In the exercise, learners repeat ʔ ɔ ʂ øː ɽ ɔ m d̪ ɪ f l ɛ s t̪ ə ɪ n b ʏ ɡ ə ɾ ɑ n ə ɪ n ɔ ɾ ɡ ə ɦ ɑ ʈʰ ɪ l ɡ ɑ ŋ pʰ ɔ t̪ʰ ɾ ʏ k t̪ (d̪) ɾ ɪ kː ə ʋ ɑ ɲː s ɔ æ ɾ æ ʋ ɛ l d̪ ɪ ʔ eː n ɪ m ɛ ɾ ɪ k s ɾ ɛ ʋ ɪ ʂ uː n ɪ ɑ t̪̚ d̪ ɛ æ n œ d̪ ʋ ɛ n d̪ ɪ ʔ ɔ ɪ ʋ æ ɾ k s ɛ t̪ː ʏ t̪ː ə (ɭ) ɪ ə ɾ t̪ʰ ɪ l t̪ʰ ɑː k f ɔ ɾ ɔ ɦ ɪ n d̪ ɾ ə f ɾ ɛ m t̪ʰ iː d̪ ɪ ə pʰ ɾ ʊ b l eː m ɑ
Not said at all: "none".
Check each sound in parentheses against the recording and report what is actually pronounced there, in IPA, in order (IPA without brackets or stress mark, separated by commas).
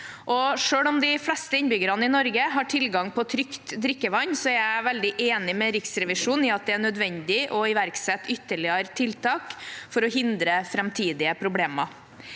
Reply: d̪, ɭ